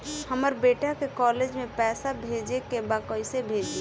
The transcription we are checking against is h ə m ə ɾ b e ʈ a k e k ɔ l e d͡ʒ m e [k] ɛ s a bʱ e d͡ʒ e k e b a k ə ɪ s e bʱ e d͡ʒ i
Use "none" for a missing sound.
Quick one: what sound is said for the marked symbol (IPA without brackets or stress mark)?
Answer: p